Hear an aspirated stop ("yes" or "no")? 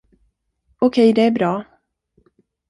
yes